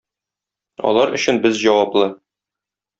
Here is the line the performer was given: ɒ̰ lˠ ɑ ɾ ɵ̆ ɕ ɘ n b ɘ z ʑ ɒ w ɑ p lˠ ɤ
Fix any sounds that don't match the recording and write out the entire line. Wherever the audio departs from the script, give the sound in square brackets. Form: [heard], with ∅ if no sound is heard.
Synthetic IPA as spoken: ɒ̰ lˠ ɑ ɾ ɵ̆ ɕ ɘ n b ɘ z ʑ ɒ w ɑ p lˠ ɤ